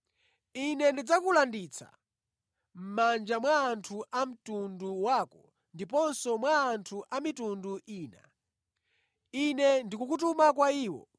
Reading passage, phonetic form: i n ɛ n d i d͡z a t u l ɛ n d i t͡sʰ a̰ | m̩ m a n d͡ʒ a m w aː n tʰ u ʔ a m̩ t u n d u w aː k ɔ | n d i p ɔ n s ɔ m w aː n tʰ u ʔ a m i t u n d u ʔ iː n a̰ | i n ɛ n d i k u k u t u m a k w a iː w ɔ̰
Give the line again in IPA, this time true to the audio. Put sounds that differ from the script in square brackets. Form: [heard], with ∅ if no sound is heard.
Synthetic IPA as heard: i n ɛ n d i d͡z a [k] u l [a] n d i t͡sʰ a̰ | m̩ m a n d͡ʒ a m w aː n tʰ u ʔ a m̩ t u n d u w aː k ɔ | n d i p ɔ n s ɔ m w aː n tʰ u ʔ a m i t u n d u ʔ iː n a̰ | i n ɛ n d i k u k u t u m a k w a iː w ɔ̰